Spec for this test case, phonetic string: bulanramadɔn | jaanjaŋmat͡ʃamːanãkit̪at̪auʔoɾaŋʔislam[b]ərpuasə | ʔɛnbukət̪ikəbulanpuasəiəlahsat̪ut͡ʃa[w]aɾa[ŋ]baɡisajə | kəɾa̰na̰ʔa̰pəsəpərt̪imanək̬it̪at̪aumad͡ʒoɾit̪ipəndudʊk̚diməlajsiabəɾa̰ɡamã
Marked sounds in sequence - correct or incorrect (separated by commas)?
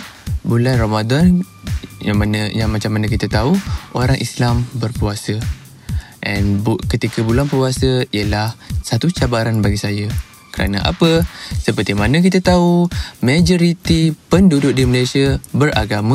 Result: correct, incorrect, incorrect